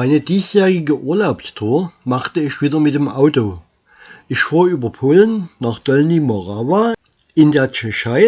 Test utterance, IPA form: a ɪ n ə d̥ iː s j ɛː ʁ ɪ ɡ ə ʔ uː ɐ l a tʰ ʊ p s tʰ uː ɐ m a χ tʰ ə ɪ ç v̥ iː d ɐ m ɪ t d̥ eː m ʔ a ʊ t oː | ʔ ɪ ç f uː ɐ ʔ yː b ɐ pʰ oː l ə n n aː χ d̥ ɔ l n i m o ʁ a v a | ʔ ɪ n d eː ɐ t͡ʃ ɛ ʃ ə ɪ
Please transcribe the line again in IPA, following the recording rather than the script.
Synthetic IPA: a ɪ n ə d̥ iː s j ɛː ʁ ɪ ɡ ə ʔ uː ɐ l a ʊ p s tʰ uː ɐ m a χ t ə ɪ ç v̥ iː d ɐ m ɪ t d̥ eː m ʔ a ʊ t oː | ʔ ɪ ç f uː ɐ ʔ yː b ɐ pʰ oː l ə n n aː χ d̥ ɔ l n i m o ʁ a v a | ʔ ɪ n d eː ɐ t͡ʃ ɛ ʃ a ɪ